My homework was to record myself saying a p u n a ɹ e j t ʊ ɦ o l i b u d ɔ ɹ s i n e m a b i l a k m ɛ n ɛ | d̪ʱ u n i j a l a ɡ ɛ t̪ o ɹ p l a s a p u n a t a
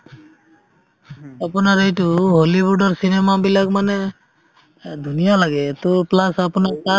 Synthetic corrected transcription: a p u n a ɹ e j t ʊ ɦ o l i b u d ɔ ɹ s i n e m a b i l a k m a n ɛ | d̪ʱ u n i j a l a ɡ ɛ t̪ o p l a s a p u n a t a